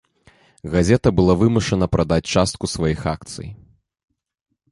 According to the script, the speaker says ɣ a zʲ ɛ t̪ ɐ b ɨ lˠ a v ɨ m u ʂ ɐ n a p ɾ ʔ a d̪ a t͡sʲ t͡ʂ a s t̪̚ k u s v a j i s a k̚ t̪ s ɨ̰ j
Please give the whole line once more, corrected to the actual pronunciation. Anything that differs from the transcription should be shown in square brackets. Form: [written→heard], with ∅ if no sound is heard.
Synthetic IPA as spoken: ɣ a zʲ ɛ t̪ ɐ b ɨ lˠ a v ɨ m u ʂ ɐ n [a→ɐ] p ɾ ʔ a d̪ a t͡sʲ t͡ʂ a s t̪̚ k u s v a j i [s→x] a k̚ t̪ s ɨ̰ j

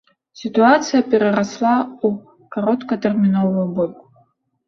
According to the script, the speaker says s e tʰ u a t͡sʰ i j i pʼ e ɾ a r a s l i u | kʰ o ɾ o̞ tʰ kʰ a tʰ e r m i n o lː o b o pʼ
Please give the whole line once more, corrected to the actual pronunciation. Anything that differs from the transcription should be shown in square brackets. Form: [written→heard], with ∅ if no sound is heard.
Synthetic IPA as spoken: s [e→i] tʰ u a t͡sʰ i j [i→a] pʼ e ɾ a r a s l [i→a] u | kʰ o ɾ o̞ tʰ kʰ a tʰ e r m i n o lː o b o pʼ

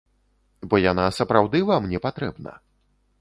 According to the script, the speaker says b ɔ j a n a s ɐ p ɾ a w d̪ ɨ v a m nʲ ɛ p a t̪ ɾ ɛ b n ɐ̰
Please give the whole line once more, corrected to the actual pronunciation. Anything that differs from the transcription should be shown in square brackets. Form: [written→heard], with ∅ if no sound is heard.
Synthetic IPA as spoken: b ɔ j a n a s ɐ p ɾ a w d̪ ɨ v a m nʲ ɛ p a t̪ ɾ ɛ b n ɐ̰

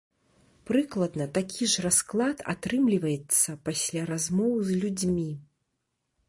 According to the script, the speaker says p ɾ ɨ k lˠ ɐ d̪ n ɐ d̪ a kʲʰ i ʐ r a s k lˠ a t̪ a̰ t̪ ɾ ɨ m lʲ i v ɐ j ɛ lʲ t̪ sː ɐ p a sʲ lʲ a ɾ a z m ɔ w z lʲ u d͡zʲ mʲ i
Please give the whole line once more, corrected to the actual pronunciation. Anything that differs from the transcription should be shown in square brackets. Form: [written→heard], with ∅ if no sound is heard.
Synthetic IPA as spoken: p ɾ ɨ k lˠ ɐ d̪ n ɐ [d̪→t̪] a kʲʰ i ʐ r a s k lˠ a t̪ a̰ t̪ ɾ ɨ m lʲ i v ɐ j ɛ [lʲ→∅] t̪ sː ɐ p a sʲ lʲ a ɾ a z m ɔ w z lʲ u d͡zʲ mʲ i

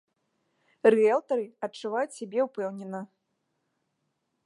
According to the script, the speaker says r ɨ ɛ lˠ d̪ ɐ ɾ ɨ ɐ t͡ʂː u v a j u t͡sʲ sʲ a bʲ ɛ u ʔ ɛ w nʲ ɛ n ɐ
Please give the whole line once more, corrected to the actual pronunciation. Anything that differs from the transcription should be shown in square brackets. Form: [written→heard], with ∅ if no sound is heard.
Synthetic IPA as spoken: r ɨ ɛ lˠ [d̪→t̪] ɐ ɾ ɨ ɐ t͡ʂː u v a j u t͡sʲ sʲ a bʲ ɛ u [ʔ→p] ɛ w nʲ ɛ n ɐ

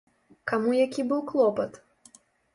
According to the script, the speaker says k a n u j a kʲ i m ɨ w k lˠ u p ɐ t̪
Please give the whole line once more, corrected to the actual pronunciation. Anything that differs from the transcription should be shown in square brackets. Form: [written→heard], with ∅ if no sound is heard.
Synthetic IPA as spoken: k a [n→m] u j a kʲ i [m→b] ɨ w k lˠ [u→ɔ] p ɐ t̪

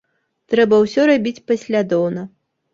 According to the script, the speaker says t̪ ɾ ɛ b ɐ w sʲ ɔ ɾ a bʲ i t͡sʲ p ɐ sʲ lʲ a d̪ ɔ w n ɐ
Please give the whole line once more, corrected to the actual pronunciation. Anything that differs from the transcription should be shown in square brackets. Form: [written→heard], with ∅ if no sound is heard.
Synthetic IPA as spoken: t̪ ɾ ɛ b ɐ w sʲ ɔ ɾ a bʲ i t͡sʲ p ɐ sʲ lʲ a d̪ ɔ w n ɐ

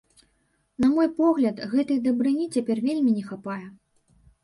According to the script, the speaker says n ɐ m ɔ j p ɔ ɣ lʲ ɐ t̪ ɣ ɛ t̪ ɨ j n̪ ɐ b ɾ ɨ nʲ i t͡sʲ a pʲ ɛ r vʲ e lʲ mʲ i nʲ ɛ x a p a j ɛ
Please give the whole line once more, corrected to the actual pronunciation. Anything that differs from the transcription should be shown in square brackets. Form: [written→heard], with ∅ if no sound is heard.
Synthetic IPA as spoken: n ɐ m ɔ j p ɔ ɣ lʲ ɐ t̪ ɣ ɛ t̪ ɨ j [n̪→d̪] ɐ b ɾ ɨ nʲ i t͡sʲ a pʲ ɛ r vʲ e lʲ mʲ i nʲ ɛ x a p a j ɛ

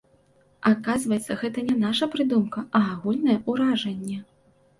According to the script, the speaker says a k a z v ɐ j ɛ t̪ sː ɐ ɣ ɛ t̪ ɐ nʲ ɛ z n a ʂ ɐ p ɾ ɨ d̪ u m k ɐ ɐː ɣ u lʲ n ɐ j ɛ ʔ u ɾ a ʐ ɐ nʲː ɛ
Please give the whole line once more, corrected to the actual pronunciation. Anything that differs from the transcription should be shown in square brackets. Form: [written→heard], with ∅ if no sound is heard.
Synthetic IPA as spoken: a k a z v ɐ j ɛ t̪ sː ɐ ɣ ɛ t̪ ɐ nʲ ɛ [z→∅] n a ʂ ɐ p ɾ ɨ d̪ u m k ɐ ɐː ɣ u lʲ n ɐ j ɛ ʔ u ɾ a ʐ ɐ nʲː ɛ

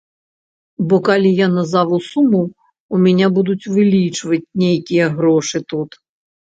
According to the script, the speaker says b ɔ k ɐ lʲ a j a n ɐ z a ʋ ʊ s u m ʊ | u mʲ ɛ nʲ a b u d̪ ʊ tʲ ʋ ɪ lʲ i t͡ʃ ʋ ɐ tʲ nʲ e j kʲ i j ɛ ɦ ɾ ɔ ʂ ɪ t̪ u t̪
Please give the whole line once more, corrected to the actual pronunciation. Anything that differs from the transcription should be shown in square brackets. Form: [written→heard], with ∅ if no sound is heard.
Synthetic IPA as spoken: b ɔ k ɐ lʲ [a→i] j a n ɐ z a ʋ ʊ s u m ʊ | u mʲ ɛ nʲ a b u d̪ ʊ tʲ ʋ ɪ lʲ i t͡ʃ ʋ ɐ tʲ nʲ e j kʲ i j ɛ ɦ ɾ ɔ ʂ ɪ t̪ u t̪

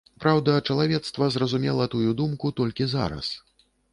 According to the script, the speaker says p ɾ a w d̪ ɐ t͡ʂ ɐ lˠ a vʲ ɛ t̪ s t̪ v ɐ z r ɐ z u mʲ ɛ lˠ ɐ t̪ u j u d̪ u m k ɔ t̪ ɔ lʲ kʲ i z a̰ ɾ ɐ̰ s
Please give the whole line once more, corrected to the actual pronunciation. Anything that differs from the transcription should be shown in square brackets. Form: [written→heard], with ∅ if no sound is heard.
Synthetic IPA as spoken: p ɾ a w d̪ ɐ t͡ʂ ɐ lˠ a vʲ ɛ t̪ s t̪ v ɐ z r ɐ z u mʲ ɛ lˠ ɐ t̪ u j u d̪ u m k [ɔ→u] t̪ ɔ lʲ kʲ i z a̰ ɾ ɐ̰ s

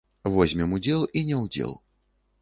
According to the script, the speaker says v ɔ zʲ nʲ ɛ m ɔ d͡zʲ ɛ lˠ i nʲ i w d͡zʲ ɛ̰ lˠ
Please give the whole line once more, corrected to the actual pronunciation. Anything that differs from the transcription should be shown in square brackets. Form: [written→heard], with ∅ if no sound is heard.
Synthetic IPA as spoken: v ɔ zʲ [nʲ→mʲ] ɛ m [ɔ→u] d͡zʲ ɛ lˠ i nʲ [i→ɛ] w d͡zʲ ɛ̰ lˠ

